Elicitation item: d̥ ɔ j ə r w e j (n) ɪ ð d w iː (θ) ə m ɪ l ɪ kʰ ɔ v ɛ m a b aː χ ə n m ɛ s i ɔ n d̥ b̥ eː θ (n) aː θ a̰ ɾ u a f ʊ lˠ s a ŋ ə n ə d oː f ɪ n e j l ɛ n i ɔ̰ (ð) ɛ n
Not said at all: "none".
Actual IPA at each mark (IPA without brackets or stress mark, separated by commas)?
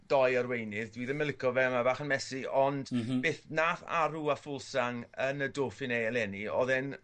n, ð, n, ð